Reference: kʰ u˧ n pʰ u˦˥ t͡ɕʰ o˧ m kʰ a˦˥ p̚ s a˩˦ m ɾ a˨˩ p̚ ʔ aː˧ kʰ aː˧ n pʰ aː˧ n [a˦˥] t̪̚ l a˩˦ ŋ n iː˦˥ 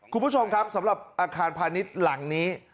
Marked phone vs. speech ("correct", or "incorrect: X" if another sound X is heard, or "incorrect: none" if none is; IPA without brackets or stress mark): incorrect: i˦˥